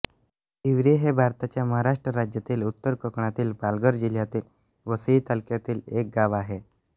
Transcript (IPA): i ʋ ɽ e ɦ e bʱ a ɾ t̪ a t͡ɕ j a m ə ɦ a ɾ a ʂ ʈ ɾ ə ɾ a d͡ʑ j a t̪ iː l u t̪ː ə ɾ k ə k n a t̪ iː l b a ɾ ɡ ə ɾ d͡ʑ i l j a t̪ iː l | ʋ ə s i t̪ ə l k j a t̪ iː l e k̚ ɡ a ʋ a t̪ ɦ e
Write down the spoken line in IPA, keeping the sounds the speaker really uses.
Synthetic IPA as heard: i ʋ ɾ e ɦ e bʱ a ɾ t̪ a t͡ɕ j a m ə ɦ a ɾ a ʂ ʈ ɾ ə ɾ a d͡ʑ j a t̪ iː l u t̪ː ə ɾ k ə k ɳ a t̪ iː l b a l ɡ ə ɾ d͡ʑ i l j a t̪ iː l | ʋ ə s i t̪ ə l k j a t̪ iː l e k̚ ɡ a ʋ a ɦ e